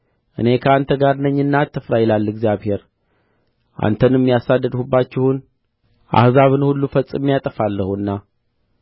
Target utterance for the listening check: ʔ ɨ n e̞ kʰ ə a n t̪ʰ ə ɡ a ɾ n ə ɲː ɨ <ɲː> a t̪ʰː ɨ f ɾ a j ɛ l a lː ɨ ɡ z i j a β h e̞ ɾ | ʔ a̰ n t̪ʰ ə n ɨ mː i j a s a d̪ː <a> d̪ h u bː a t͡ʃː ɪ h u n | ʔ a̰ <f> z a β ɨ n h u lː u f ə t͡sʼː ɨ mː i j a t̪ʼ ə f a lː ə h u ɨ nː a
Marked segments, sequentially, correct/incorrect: incorrect, incorrect, incorrect

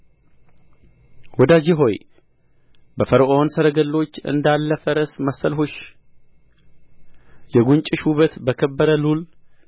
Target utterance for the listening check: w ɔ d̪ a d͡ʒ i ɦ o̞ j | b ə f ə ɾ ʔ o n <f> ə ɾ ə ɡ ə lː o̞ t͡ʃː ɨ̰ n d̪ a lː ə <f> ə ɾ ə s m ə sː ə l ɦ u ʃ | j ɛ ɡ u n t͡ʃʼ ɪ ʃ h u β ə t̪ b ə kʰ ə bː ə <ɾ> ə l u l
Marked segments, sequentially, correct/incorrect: incorrect, correct, correct

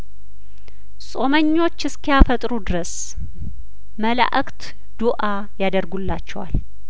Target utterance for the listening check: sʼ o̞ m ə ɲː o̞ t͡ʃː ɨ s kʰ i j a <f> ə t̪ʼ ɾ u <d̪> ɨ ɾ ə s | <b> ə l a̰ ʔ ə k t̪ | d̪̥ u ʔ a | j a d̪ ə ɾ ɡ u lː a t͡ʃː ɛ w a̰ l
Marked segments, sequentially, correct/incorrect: correct, correct, incorrect

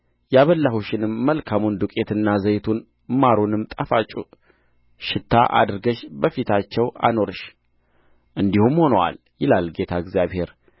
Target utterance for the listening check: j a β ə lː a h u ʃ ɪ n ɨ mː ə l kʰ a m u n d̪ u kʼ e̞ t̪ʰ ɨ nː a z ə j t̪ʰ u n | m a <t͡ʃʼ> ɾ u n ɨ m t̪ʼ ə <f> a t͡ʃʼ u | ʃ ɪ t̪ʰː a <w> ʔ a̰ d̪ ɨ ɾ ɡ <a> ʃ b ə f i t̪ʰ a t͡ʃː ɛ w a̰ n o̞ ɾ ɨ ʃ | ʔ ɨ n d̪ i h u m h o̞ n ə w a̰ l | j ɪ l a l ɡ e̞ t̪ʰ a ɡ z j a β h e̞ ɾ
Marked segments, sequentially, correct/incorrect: incorrect, correct, incorrect, incorrect

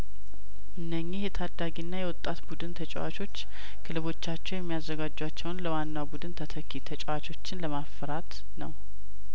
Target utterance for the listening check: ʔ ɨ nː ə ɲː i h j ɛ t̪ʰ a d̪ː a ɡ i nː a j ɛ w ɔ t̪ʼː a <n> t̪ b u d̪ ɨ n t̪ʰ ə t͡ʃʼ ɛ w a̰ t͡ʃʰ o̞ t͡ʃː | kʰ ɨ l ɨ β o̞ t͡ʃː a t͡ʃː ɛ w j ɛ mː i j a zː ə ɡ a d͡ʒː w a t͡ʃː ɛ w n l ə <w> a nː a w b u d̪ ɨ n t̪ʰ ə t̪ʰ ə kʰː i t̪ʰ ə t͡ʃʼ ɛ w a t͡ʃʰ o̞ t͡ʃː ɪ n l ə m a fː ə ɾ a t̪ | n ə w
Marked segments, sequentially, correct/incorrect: incorrect, correct

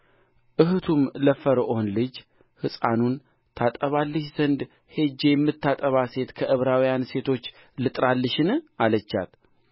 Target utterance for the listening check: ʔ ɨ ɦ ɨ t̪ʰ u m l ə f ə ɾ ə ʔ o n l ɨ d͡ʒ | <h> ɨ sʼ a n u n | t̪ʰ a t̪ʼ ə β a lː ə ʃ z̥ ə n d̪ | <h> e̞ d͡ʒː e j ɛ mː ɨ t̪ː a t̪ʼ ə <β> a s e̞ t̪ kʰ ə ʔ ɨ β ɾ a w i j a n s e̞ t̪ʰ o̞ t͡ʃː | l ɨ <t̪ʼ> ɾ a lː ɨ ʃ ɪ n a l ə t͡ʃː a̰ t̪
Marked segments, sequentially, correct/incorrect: correct, correct, correct, correct

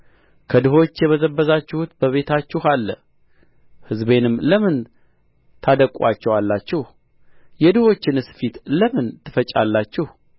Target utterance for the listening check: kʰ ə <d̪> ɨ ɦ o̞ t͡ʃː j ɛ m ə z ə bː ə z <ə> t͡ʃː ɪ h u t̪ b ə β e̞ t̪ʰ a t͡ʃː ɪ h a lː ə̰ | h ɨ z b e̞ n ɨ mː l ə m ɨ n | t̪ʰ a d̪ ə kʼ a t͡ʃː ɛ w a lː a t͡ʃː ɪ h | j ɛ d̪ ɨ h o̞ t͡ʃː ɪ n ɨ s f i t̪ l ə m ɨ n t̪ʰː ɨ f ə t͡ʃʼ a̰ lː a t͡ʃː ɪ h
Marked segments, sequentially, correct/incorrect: correct, incorrect

